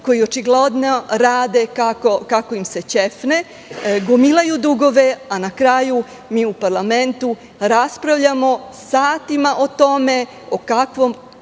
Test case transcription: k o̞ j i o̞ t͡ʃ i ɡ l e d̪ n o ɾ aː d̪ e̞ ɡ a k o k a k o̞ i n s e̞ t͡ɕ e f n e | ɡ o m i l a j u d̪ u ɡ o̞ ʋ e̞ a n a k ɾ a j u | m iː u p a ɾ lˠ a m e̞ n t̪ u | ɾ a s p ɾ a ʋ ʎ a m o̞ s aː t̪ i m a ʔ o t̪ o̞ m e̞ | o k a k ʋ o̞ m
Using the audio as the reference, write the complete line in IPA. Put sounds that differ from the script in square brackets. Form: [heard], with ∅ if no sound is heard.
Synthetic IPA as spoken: k o̞ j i o̞ t͡ʃ i ɡ l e d̪ n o ɾ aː d̪ e̞ [k] a k o k a k o̞ i [m] s e̞ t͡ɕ e f n e | ɡ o m i l a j u d̪ u ɡ o̞ ʋ e̞ a n a k ɾ a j u | m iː u p a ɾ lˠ a m e̞ n t̪ u | ɾ a s p ɾ a ʋ ʎ a m o̞ s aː t̪ i m a ʔ o t̪ o̞ m e̞ | o k a k ʋ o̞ m